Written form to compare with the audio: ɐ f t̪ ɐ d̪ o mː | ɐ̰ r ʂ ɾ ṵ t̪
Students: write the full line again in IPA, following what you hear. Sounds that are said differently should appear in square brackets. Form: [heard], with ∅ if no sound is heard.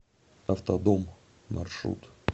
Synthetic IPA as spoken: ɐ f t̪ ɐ d̪ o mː | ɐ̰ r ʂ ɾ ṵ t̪